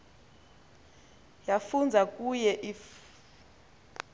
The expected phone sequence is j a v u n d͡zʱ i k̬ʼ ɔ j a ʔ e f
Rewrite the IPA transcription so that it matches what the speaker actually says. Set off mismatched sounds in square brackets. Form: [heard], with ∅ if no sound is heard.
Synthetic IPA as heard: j a [f] u n d͡zʱ [a] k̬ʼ [u] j [ɛ] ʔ [i] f